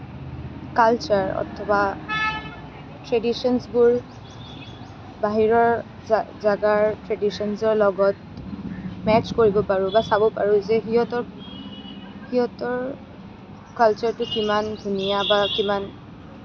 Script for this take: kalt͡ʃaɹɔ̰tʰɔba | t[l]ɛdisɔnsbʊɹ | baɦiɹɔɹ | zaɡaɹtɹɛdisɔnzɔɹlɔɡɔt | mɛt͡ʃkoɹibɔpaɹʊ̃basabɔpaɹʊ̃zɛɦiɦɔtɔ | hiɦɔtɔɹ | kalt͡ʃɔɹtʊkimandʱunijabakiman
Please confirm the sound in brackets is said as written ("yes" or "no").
no